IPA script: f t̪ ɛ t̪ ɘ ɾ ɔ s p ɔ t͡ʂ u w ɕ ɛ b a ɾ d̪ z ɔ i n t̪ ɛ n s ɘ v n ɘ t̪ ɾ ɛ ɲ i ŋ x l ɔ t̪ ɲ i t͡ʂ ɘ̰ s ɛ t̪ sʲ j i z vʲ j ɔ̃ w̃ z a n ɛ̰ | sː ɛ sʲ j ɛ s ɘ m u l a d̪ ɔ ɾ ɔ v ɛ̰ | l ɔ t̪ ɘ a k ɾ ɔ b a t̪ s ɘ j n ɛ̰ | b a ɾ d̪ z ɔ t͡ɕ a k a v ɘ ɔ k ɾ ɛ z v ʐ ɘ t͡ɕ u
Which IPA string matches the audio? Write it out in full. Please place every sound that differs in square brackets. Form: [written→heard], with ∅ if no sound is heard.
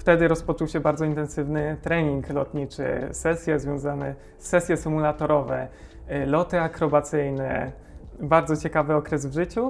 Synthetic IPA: f t̪ ɛ [t̪→d̪] ɘ ɾ ɔ s p ɔ t͡ʂ u w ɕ ɛ b a ɾ d̪ z ɔ i n t̪ ɛ n s ɘ v n ɘ t̪ ɾ ɛ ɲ i ŋ [x→k] l ɔ t̪ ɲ i t͡ʂ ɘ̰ s ɛ [t̪→∅] sʲ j [i→ɛ] z vʲ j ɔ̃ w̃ z a n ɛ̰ | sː ɛ sʲ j ɛ s ɘ m u l a [d̪→t̪] ɔ ɾ ɔ v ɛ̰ | l ɔ t̪ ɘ a k ɾ ɔ b a t̪ s ɘ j n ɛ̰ | b a ɾ d̪ z ɔ t͡ɕ [a→ɛ] k a v ɘ ɔ k ɾ ɛ z v ʐ ɘ t͡ɕ u